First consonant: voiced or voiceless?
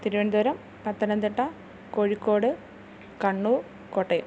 voiceless